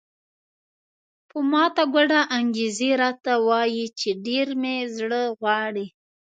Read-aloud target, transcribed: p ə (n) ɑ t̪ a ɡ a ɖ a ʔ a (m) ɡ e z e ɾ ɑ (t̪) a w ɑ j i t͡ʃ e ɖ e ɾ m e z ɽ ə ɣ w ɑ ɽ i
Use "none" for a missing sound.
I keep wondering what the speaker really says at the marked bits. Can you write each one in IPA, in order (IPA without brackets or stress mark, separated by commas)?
m, ŋ, t̪